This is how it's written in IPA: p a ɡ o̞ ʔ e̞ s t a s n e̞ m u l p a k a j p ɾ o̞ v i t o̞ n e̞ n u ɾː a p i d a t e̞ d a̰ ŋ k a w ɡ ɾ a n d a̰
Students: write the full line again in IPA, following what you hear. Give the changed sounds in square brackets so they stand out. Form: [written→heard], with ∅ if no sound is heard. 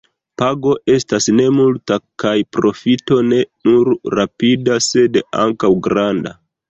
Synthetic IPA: p a ɡ o̞ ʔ e̞ s t a s n e̞ m u l [p→t] a k a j p ɾ o̞ [v→f] i t o̞ n e̞ n u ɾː a p i d a [t→s] e̞ d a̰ ŋ k a w ɡ ɾ a n d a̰